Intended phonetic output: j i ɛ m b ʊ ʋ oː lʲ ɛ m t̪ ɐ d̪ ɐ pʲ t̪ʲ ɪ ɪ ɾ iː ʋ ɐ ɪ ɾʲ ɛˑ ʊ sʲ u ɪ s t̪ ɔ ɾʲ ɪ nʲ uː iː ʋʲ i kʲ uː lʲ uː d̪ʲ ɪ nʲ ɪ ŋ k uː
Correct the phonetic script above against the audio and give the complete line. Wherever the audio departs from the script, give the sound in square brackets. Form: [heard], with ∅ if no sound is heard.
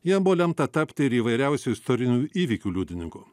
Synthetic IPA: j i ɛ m b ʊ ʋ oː lʲ ɛ m t̪ ɐ [t̪] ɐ pʲ t̪ʲ ɪ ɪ ɾ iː ʋ ɐ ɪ ɾʲ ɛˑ ʊ sʲ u ɪ s t̪ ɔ ɾʲ ɪ nʲ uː iː ʋʲ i kʲ uː lʲ uː d̪ʲ ɪ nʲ ɪ ŋ k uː